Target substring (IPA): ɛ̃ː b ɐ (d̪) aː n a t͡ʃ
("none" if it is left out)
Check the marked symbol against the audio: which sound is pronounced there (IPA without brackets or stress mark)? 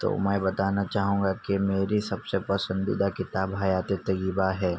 t̪